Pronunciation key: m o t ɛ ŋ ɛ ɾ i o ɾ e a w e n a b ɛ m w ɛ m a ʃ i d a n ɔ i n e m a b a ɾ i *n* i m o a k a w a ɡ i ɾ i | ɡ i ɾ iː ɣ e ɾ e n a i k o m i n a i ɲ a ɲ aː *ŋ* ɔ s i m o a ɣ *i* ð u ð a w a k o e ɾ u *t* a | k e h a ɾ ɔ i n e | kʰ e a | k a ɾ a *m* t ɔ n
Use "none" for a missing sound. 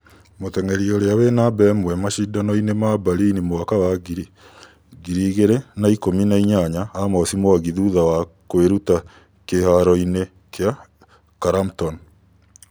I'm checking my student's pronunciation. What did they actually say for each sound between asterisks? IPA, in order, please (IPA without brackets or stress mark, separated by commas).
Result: n, m, i, t, m